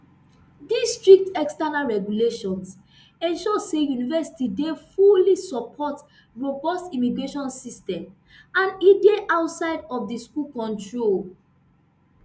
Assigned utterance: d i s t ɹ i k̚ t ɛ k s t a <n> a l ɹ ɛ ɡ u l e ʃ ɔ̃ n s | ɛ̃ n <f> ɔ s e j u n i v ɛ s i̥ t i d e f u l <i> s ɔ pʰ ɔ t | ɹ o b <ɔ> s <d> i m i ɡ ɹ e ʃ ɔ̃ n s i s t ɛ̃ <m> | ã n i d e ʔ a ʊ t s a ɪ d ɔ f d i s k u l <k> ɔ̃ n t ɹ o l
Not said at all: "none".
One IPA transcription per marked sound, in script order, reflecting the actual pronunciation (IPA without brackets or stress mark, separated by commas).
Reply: n, ʃ, i, ɔ, t, m, k